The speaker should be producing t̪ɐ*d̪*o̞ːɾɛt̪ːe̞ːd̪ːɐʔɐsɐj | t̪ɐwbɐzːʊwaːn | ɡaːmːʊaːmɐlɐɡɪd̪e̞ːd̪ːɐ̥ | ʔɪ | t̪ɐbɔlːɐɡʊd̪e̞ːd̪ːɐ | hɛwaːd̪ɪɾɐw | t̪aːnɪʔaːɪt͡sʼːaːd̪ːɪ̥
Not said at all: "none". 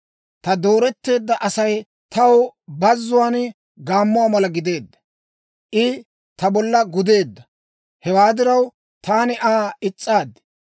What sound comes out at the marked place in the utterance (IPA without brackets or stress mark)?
d̪